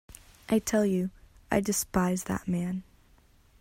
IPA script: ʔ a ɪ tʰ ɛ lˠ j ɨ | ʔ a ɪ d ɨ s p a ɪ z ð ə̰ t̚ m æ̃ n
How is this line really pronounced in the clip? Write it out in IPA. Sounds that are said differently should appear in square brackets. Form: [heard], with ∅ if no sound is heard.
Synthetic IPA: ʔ a ɪ tʰ ɛ lˠ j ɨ | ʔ a ɪ d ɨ s p a ɪ z ð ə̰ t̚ m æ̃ n